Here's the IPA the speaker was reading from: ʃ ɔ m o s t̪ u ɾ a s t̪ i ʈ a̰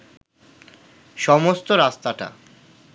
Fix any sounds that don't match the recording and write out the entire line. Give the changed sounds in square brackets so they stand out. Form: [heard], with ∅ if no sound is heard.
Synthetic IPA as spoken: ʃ ɔ m o s t̪ [o] ɾ a s t̪ [a] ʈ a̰